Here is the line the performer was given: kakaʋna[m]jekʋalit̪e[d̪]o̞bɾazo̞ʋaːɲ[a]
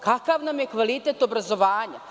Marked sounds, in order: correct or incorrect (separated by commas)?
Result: correct, incorrect, correct